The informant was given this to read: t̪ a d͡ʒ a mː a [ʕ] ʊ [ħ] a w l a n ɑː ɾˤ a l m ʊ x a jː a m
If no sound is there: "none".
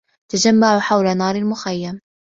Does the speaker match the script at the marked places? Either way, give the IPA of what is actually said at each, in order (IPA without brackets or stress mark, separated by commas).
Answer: ʕ, ħ